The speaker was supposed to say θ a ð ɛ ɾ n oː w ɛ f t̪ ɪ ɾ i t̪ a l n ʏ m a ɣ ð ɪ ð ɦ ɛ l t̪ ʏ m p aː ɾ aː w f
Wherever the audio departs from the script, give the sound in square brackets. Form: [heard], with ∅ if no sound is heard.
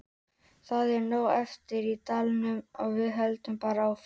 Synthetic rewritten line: θ a ð ɛ ɾ n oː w ɛ f t̪ ɪ ɾ i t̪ a l n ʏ m a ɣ [v] ɪ ð ɦ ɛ l t̪ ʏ m p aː ɾ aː w f